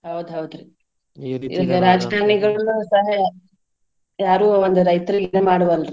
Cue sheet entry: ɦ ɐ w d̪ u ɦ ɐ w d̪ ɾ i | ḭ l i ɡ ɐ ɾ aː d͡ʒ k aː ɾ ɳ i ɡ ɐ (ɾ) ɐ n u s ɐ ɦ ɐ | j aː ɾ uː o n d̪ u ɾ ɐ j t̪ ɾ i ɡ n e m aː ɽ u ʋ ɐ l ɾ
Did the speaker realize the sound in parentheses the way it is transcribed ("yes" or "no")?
no